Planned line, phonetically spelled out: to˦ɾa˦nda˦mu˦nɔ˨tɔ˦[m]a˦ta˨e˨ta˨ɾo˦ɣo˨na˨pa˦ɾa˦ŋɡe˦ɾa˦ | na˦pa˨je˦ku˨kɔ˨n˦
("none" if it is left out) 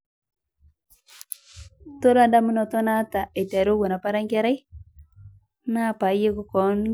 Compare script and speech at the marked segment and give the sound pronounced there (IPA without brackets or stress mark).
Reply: n